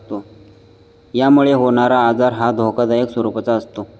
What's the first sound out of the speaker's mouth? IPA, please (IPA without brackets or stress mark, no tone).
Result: t̪